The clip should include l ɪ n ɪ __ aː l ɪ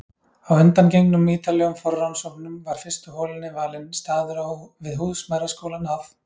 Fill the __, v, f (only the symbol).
v